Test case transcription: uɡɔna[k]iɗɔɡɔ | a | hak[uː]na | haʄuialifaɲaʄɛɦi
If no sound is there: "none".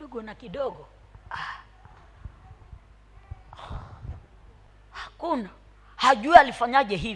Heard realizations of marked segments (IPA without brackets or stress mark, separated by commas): k, u